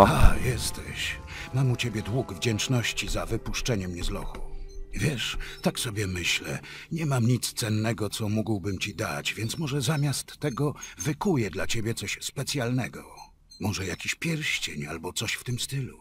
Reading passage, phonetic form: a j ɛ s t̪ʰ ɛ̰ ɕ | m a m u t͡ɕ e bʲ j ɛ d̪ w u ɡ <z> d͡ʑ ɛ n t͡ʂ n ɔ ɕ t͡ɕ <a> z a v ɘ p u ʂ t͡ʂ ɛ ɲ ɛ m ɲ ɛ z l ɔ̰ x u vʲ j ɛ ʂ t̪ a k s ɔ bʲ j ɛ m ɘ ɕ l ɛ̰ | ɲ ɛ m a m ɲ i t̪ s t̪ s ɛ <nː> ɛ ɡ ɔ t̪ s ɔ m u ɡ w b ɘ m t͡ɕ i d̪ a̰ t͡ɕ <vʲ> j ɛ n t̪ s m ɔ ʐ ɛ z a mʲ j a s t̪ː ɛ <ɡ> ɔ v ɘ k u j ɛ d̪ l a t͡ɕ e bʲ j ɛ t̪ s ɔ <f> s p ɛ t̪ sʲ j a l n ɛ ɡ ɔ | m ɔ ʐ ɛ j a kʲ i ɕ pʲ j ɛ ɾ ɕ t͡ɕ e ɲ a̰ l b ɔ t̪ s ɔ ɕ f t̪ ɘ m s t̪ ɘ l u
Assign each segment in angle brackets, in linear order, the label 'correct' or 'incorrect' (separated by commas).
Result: incorrect, incorrect, correct, correct, correct, incorrect